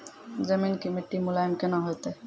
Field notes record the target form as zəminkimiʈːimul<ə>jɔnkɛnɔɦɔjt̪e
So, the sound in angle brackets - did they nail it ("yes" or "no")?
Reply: no